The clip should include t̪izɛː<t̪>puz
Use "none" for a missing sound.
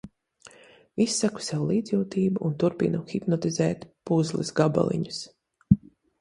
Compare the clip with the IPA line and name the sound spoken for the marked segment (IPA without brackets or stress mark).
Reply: t̪